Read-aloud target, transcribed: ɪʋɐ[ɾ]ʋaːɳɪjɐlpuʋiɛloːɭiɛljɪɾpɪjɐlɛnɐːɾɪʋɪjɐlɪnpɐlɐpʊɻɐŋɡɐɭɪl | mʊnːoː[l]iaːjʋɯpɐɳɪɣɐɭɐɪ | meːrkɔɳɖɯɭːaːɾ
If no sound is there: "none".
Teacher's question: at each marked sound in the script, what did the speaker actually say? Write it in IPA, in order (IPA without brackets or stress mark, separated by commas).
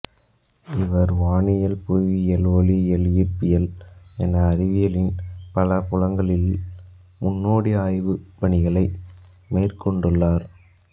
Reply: ɾ, ɽ